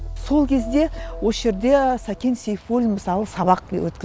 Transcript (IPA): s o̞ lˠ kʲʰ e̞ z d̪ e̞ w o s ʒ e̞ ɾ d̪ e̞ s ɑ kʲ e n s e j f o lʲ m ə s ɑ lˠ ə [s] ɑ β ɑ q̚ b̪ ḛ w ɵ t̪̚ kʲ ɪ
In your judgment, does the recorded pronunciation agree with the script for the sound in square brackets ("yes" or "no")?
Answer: yes